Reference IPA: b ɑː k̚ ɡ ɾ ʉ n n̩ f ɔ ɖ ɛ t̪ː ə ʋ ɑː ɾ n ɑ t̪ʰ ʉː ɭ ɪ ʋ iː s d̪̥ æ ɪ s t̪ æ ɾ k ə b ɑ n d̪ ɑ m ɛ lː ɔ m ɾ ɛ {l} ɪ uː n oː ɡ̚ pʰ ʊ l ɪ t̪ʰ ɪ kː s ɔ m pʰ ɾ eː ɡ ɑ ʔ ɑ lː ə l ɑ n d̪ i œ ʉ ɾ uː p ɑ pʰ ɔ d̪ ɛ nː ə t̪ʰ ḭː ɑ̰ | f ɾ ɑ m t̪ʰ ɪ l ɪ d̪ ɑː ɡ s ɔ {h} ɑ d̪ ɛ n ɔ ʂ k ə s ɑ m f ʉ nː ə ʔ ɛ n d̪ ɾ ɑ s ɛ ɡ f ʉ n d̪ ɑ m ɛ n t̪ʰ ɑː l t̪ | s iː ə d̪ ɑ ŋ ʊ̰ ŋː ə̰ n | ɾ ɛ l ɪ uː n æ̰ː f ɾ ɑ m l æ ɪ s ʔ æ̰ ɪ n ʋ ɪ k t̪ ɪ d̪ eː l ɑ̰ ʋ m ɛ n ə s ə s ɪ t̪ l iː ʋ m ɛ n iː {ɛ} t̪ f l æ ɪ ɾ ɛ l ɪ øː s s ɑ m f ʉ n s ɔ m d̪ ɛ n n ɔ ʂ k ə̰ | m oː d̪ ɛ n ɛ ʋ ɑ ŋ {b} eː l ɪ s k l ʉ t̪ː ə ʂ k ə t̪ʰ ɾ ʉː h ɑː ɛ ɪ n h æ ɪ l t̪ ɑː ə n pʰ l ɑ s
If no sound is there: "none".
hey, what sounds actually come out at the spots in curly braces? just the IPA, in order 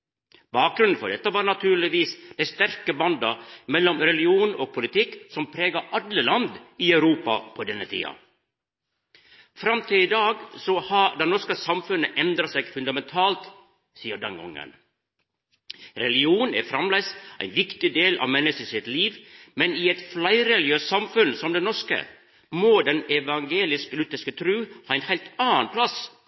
l, h, ɛ, ɡ

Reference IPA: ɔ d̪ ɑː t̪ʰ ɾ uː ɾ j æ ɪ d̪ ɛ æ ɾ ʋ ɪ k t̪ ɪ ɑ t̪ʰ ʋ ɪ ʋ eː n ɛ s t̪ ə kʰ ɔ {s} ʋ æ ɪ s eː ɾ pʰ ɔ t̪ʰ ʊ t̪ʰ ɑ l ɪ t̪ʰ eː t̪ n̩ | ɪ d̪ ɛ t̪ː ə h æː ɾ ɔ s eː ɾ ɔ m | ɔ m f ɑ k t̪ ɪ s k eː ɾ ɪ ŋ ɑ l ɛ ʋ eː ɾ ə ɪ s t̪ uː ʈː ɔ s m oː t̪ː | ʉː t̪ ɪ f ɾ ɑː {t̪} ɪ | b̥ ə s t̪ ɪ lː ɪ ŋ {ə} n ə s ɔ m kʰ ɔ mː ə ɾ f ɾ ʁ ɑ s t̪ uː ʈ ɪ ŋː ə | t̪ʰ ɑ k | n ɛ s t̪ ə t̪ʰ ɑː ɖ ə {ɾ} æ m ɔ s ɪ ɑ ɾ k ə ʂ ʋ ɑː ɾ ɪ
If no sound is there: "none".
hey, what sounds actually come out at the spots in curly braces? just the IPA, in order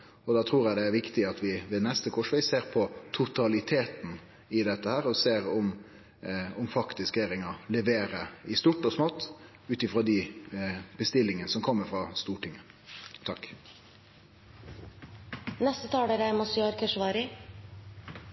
ʂ, d̪, ə, ɾ

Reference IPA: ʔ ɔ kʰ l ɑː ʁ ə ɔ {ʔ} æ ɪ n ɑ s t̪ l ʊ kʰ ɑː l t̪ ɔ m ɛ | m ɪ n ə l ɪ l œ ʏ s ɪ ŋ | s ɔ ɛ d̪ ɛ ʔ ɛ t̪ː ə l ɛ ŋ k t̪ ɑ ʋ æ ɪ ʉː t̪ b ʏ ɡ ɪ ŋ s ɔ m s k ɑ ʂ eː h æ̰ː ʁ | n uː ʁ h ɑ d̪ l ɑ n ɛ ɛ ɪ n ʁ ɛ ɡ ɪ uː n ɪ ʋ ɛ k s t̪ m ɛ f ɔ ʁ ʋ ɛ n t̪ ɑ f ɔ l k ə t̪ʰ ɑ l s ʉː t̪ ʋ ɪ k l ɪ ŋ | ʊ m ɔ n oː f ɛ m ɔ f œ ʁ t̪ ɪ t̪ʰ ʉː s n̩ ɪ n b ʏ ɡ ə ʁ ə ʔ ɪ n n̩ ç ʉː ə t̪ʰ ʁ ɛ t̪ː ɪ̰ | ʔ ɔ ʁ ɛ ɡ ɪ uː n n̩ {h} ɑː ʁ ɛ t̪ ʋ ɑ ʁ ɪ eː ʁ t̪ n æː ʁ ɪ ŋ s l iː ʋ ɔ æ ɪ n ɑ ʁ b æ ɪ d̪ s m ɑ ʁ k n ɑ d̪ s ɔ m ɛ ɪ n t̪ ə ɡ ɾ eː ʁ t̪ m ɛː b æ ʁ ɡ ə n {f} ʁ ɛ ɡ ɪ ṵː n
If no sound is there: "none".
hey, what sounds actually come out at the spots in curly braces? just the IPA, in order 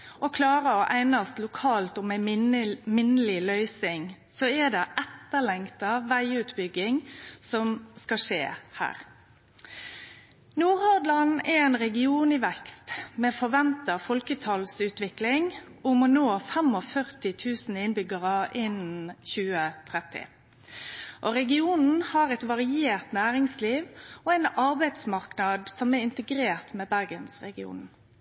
ʔ, h, s

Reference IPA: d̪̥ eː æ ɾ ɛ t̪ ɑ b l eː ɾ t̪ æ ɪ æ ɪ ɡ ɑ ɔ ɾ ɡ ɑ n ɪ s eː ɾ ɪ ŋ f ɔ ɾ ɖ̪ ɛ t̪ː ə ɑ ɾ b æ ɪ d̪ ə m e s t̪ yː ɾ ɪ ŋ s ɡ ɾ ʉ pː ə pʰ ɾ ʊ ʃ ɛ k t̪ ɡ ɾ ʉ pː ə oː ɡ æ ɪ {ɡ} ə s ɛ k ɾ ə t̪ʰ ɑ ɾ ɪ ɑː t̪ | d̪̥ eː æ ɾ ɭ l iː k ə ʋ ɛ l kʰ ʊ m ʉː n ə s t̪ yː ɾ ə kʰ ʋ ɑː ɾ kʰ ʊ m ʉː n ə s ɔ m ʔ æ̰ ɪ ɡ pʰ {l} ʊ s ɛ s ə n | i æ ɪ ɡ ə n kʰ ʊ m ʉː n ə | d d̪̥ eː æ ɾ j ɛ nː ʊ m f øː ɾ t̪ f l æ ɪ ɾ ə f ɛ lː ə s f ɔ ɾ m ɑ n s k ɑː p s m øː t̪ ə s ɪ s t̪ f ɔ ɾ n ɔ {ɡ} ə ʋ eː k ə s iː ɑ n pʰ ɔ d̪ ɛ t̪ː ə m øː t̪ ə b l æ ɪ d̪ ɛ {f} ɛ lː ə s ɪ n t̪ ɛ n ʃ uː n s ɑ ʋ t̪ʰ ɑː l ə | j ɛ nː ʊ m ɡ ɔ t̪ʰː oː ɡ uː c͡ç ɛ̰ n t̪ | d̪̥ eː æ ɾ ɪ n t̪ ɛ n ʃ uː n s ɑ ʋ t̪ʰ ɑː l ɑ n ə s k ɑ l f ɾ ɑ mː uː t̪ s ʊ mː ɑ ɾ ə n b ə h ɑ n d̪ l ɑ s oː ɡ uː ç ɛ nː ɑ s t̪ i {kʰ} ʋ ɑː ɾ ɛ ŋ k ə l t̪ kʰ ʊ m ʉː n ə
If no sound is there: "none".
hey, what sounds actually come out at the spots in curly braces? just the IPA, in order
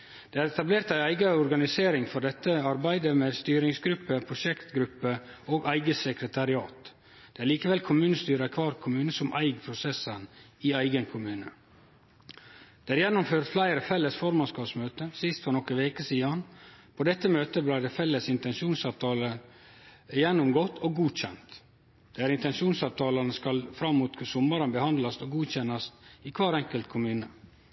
ɡ, ɾ, k, f, kʰ

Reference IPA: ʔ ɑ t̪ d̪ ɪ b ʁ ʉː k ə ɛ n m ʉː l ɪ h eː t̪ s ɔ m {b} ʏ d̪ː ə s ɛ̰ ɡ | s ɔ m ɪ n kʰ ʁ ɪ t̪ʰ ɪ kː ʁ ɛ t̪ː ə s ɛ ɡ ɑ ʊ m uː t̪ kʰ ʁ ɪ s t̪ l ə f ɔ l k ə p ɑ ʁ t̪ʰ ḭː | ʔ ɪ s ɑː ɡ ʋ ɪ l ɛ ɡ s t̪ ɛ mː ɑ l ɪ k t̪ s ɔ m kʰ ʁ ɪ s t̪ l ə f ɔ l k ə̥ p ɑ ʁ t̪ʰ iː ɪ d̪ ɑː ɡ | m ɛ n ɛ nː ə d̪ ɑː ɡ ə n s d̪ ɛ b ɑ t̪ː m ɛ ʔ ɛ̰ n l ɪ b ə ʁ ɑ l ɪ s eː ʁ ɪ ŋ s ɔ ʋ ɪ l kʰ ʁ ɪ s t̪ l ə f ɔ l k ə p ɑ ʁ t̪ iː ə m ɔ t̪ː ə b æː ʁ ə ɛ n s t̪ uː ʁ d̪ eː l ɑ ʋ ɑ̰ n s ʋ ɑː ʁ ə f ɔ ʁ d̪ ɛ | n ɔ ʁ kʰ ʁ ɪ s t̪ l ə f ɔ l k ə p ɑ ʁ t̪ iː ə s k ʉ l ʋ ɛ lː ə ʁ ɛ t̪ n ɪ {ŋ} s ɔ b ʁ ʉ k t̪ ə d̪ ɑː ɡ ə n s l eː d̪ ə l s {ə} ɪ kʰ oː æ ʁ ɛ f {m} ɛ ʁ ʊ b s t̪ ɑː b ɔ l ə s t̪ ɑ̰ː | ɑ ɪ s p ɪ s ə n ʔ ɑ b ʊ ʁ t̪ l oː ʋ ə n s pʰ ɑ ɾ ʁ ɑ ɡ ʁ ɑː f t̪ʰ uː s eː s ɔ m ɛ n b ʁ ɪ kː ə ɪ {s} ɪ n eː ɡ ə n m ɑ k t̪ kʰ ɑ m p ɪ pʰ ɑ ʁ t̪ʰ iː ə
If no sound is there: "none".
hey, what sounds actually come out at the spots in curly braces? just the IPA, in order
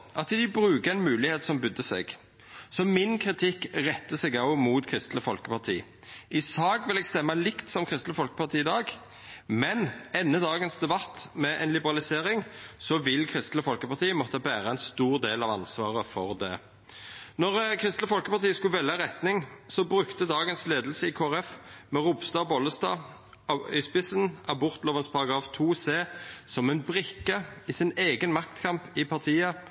b, ŋ, ə, m, s

